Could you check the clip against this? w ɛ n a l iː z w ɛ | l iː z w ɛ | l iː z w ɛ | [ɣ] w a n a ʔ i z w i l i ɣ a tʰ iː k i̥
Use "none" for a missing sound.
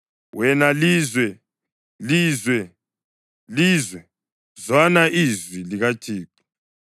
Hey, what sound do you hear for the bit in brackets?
z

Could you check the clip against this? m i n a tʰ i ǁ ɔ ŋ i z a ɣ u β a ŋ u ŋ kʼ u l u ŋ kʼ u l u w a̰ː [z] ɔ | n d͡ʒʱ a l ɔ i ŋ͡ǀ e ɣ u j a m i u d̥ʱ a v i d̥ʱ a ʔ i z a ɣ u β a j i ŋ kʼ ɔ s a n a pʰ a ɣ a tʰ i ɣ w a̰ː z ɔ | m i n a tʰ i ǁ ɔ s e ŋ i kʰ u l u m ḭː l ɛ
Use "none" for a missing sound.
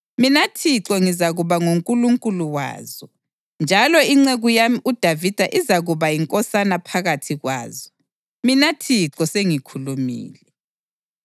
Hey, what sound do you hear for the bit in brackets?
z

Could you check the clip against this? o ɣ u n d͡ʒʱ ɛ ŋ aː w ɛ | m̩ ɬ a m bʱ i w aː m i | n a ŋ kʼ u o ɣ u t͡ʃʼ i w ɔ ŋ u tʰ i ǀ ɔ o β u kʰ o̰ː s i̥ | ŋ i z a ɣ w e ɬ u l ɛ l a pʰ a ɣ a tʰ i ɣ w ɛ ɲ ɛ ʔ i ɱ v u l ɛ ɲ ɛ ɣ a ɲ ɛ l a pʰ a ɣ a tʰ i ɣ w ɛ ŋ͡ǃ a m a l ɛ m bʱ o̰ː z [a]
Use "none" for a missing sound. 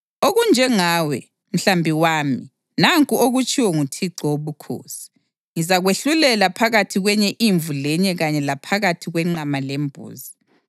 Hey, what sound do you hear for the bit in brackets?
i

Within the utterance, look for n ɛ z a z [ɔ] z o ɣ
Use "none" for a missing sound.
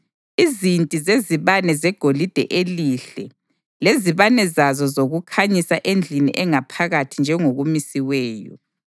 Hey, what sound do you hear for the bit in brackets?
ɔ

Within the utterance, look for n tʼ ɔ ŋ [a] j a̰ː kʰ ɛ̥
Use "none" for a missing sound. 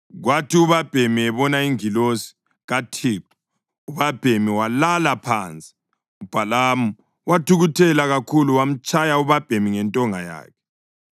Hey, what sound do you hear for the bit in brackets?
a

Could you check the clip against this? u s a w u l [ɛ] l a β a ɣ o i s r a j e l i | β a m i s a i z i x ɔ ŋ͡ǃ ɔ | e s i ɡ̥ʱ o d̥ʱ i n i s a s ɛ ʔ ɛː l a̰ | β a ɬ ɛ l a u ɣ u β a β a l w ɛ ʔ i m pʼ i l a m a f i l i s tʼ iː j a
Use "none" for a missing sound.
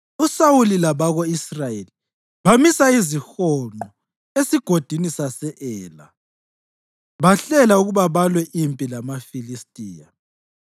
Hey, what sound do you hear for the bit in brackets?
i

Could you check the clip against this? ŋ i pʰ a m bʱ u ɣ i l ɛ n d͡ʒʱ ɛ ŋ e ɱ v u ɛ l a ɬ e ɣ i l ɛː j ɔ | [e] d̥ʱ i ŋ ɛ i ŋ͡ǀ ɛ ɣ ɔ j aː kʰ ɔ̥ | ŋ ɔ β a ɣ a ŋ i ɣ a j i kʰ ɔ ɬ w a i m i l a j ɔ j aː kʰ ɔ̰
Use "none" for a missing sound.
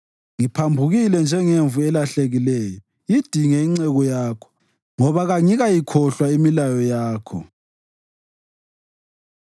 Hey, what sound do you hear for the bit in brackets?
i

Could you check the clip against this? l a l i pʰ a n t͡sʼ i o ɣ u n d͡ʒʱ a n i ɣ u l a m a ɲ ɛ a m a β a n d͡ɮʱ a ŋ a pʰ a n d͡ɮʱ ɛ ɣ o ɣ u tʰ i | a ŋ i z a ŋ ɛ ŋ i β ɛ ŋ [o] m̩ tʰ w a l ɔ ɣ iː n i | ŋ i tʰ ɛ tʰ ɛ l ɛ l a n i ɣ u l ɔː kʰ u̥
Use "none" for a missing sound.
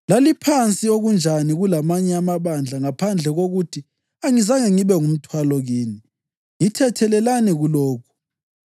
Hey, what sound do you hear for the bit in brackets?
u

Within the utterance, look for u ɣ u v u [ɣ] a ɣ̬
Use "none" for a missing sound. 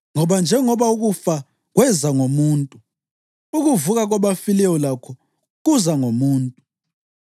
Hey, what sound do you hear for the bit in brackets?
ɣ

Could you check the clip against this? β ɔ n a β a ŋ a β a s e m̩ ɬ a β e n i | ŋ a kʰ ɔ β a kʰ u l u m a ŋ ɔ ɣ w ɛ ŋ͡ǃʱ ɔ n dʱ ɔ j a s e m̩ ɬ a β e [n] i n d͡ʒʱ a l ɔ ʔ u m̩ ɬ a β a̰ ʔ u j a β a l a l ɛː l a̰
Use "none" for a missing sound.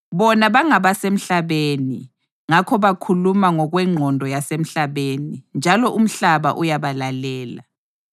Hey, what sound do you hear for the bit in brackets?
n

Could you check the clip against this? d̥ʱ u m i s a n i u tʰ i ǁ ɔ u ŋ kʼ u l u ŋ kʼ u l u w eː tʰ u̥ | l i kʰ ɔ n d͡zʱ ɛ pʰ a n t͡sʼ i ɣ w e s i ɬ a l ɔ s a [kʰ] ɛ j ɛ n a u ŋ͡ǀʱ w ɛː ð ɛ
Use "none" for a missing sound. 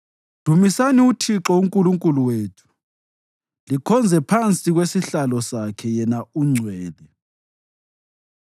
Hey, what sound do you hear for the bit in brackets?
kʰ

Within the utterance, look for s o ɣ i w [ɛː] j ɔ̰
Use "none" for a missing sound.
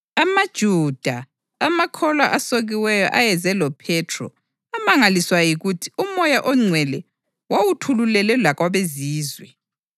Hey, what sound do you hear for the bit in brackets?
ɛ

